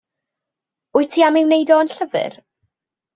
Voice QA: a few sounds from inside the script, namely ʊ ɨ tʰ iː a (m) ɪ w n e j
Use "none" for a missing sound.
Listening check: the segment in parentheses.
m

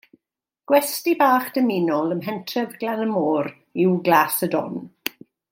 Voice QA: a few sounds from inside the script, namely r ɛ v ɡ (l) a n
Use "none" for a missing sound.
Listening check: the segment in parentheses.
l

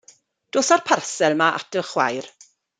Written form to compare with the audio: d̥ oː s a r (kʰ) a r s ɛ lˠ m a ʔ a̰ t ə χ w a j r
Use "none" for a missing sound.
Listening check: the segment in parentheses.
pʰ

